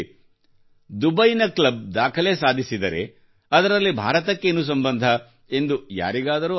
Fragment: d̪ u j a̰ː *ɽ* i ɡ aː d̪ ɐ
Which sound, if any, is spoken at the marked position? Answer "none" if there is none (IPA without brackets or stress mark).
ɾ